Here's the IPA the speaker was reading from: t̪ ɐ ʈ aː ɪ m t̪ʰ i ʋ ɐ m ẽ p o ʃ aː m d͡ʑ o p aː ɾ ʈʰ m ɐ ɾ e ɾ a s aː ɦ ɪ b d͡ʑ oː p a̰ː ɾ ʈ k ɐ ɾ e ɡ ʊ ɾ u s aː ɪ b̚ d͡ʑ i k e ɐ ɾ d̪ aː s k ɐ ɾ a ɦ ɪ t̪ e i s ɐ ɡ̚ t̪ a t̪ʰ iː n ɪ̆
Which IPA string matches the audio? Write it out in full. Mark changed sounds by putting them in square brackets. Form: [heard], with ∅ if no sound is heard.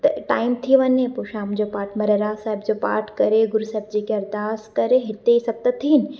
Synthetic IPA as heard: t̪ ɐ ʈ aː ɪ m t̪ʰ i ʋ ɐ [ɲ] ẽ p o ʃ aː m d͡ʑ o p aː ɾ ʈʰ m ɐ ɾ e ɾ a s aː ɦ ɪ b d͡ʑ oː p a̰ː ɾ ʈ k ɐ ɾ e ɡ ʊ ɾ u s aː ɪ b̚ d͡ʑ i k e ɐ ɾ d̪ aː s k ɐ ɾ [e] ɦ ɪ t̪ e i s ɐ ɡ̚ t̪ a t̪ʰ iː n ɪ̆